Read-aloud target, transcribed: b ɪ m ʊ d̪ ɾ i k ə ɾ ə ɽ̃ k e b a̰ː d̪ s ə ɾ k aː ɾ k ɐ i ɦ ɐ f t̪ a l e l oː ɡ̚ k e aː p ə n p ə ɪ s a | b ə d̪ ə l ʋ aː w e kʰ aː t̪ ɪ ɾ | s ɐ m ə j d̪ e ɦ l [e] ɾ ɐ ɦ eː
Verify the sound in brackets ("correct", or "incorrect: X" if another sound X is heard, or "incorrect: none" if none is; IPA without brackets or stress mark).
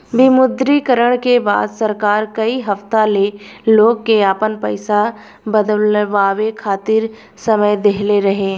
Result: correct